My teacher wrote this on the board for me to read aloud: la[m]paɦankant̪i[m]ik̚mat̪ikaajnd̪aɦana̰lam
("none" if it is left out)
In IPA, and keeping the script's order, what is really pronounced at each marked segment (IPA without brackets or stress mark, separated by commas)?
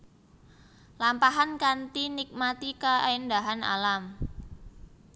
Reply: m, n